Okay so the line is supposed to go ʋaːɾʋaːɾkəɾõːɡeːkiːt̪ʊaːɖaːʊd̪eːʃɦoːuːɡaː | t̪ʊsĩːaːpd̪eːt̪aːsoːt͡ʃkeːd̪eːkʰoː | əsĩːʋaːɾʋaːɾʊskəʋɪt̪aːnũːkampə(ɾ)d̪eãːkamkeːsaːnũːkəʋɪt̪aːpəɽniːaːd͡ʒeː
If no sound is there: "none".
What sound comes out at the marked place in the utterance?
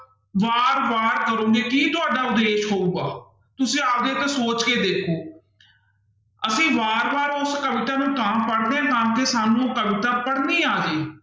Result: ɽ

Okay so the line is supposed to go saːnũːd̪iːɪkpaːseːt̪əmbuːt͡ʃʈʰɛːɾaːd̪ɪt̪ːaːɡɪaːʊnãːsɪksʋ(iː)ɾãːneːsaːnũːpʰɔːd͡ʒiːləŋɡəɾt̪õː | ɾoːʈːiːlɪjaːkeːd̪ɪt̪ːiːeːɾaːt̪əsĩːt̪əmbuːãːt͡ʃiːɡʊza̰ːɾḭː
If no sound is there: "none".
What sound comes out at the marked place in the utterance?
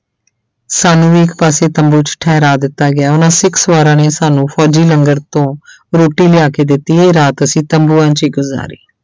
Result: aː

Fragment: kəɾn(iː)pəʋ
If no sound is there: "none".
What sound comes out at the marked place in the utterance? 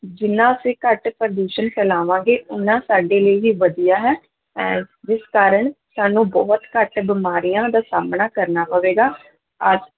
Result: aː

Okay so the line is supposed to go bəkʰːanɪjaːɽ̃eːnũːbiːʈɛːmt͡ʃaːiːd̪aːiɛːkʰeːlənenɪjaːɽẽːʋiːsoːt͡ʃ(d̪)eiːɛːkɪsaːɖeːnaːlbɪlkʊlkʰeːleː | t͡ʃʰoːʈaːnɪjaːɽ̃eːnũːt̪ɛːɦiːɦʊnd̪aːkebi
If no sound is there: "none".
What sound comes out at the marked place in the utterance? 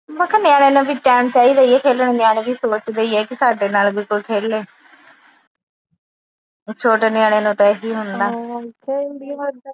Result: d̪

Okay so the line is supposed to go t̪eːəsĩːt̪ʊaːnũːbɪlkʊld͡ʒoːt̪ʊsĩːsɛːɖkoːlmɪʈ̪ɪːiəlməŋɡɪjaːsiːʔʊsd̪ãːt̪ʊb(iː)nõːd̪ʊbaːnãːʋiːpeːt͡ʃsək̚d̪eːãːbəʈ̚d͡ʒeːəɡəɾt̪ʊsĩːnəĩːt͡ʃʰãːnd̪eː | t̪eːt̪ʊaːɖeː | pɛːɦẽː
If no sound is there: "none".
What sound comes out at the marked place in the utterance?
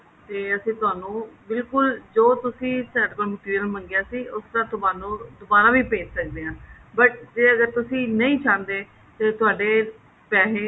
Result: aː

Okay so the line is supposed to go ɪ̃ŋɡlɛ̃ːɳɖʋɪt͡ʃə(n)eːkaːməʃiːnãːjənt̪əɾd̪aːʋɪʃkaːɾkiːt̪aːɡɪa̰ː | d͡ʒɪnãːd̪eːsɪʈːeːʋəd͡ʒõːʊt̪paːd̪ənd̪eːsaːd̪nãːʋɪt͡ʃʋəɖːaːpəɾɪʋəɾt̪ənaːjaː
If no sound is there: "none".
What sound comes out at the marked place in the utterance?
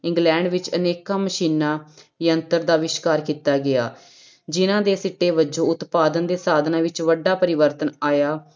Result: n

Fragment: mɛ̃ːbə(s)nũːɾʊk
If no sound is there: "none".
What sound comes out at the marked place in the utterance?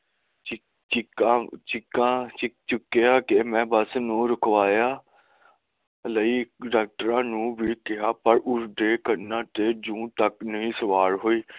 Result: s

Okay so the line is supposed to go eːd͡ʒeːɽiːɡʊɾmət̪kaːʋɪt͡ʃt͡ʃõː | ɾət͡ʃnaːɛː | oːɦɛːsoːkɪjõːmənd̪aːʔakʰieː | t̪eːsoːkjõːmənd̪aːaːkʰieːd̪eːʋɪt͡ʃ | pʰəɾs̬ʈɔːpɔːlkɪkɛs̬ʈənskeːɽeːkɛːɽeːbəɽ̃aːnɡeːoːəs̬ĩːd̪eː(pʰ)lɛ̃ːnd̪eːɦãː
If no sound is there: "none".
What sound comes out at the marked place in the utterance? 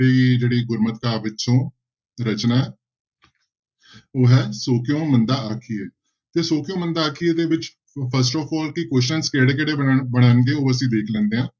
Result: kʰ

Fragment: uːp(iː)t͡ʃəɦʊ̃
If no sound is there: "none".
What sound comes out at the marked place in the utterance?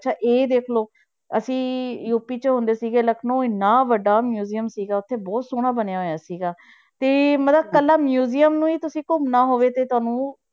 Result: iː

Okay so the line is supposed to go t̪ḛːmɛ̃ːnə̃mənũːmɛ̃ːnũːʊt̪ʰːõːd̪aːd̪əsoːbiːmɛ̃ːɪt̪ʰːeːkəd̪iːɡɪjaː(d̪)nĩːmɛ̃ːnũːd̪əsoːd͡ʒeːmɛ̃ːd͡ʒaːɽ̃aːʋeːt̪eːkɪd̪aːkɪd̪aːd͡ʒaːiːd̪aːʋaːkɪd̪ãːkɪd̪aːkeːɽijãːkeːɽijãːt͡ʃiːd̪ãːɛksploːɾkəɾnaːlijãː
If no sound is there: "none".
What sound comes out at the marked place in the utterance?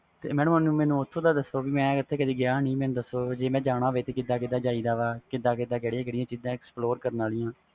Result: none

